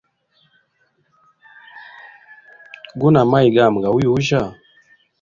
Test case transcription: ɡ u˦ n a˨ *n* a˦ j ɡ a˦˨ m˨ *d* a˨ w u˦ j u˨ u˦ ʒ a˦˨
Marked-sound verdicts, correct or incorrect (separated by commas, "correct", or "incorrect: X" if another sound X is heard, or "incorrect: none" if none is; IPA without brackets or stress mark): incorrect: m, incorrect: ɡ